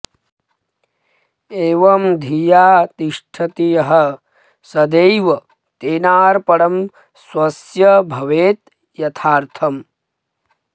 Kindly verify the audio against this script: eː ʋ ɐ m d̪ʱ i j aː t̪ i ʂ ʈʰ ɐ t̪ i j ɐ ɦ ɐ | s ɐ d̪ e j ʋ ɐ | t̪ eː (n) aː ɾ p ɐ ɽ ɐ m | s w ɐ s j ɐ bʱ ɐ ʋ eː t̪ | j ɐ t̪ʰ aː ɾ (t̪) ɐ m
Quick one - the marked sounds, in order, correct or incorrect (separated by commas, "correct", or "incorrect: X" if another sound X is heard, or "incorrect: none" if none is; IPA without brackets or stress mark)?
correct, incorrect: t̪ʰ